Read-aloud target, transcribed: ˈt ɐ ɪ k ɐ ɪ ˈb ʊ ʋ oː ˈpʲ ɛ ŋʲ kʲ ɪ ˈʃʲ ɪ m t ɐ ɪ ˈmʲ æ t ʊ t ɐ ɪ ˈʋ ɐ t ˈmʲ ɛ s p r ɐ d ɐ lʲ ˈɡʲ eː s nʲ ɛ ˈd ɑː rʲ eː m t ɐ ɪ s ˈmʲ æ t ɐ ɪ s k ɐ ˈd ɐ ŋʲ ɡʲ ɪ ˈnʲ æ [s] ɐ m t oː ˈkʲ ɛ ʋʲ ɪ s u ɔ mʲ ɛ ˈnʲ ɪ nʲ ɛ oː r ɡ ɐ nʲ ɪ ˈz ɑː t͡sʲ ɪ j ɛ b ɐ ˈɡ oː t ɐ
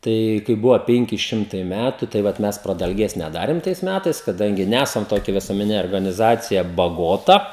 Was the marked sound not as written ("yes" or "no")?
no